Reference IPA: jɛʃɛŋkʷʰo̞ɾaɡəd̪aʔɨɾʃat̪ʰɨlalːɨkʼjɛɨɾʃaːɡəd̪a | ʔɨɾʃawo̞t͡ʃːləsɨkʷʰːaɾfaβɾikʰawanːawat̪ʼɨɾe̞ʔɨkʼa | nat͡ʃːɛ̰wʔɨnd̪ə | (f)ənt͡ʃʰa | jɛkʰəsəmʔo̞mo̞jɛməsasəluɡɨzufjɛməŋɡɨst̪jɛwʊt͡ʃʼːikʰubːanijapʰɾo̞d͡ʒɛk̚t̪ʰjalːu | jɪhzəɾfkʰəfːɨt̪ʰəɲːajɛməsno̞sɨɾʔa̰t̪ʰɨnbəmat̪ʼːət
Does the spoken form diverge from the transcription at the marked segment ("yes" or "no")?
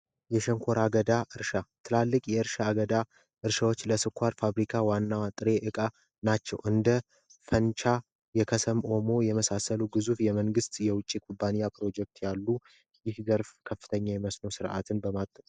no